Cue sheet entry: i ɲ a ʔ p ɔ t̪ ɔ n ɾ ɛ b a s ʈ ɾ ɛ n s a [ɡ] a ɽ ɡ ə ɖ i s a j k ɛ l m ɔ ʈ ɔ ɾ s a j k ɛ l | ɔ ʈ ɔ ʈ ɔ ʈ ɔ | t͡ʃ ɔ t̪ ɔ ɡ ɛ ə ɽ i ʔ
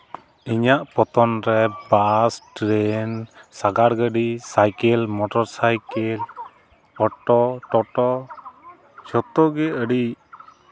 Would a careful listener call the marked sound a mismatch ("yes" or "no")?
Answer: no